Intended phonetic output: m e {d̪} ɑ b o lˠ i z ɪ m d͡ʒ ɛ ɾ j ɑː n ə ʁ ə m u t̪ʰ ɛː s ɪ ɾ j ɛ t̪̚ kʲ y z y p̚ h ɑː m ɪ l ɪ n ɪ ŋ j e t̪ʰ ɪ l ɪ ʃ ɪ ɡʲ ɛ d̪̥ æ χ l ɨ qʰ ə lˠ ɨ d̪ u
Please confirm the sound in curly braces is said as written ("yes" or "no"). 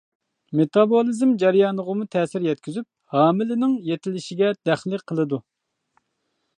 no